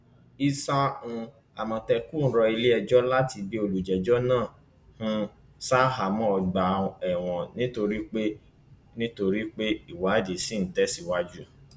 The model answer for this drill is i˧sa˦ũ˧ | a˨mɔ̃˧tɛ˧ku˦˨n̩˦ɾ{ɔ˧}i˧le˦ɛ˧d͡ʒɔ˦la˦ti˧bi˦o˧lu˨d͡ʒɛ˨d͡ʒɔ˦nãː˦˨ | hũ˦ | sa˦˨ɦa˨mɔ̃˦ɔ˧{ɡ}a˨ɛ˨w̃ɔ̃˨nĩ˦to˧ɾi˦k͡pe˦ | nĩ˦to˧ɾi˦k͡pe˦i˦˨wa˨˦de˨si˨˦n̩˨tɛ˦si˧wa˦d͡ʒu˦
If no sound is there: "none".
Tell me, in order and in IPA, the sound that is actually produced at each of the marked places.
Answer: ɔ˧, ɡ͡b

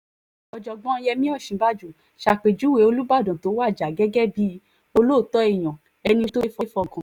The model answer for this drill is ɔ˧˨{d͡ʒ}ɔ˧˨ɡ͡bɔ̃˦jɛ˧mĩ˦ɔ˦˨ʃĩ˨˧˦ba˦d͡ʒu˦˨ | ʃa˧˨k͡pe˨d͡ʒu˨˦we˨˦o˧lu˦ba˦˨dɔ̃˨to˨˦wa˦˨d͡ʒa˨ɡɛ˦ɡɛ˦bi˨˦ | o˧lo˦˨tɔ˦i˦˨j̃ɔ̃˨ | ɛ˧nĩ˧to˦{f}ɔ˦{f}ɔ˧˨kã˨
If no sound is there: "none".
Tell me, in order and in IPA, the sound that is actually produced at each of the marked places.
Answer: d͡ʒ, f, f

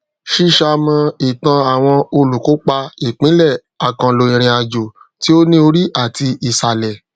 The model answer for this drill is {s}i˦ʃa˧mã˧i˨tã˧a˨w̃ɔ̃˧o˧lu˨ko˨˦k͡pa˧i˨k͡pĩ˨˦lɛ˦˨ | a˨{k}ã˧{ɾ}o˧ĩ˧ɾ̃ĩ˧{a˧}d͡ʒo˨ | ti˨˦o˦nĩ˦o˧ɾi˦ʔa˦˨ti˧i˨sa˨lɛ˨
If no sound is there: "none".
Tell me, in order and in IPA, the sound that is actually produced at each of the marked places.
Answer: ʃ, k, l, a˧

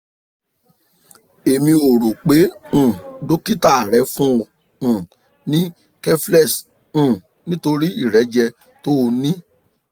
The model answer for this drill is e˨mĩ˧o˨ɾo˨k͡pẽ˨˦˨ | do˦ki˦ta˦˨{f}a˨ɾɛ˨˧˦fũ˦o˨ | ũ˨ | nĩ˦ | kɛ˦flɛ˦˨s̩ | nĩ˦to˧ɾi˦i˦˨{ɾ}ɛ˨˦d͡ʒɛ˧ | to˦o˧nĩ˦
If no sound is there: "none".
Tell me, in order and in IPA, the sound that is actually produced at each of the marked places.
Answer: none, ɾ

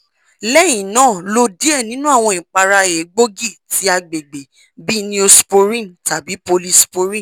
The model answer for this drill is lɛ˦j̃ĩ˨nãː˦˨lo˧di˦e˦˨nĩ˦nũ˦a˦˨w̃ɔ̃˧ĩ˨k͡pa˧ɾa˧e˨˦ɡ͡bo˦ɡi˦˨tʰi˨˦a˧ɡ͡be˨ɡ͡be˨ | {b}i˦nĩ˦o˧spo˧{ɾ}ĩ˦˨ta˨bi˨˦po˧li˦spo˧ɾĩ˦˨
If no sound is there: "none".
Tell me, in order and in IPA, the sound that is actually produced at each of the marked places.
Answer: b, ɾ

